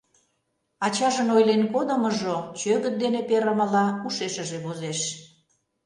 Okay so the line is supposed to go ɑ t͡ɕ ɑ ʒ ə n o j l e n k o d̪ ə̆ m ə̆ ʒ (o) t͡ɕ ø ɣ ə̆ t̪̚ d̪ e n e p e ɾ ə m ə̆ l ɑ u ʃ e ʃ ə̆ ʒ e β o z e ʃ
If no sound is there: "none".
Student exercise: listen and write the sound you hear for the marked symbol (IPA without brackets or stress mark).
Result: o